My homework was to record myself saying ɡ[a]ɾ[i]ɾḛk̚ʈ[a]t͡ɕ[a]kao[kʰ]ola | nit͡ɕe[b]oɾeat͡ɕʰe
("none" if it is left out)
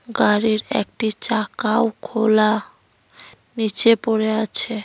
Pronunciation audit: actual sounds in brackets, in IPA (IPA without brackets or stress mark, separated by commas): a, i, i, a, kʰ, p